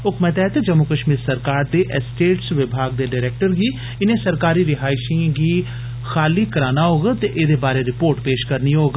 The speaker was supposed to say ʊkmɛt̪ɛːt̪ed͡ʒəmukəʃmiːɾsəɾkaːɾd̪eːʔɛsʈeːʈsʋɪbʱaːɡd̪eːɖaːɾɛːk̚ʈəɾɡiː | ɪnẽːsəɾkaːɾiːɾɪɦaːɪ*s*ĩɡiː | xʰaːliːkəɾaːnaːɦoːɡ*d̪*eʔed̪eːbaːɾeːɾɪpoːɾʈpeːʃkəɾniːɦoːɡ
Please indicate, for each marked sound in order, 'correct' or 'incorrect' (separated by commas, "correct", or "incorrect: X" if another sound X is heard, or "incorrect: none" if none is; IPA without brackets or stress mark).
incorrect: ʃ, incorrect: t̪